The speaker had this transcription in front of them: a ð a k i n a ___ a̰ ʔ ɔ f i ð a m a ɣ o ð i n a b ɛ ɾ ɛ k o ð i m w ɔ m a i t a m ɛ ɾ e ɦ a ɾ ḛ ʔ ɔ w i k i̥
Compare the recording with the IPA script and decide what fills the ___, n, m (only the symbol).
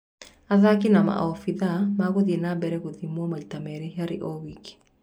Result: m